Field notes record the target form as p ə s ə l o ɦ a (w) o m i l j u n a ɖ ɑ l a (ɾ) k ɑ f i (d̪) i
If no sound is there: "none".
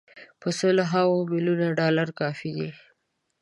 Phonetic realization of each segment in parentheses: w, ɾ, d̪

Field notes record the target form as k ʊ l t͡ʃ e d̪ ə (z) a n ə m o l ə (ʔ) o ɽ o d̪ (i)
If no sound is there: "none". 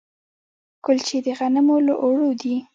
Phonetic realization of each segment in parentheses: ɣ, ʔ, i

